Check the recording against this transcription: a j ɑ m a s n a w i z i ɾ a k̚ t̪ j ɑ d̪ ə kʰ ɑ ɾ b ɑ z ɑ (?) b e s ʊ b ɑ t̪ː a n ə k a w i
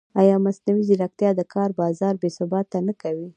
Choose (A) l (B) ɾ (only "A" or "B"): B